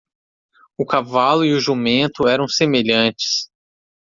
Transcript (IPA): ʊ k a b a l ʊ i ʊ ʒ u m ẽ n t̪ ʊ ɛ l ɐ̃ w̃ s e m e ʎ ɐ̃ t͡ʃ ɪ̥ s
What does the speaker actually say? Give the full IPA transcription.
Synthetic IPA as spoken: ʊ k a v a l ʊ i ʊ ʒ u m ẽ n t̪ ʊ ɛ ɾ ɐ̃ w̃ s e m e ʎ ɐ̃ t͡ʃ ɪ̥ s